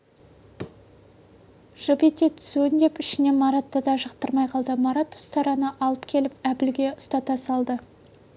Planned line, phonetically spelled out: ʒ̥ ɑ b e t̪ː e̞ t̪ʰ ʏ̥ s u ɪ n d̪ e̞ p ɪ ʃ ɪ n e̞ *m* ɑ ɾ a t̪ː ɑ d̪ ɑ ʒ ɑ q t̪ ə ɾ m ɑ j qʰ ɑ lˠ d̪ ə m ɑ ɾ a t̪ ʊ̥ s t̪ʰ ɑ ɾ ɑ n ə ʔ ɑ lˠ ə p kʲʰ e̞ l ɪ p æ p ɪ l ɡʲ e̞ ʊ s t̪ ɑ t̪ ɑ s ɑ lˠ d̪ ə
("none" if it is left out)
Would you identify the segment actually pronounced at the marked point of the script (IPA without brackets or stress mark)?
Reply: m